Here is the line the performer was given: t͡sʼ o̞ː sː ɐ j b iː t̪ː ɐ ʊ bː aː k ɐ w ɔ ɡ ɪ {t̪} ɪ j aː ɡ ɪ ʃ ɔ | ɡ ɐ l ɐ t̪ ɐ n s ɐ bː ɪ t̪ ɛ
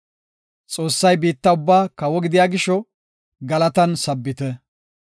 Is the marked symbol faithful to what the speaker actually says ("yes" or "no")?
no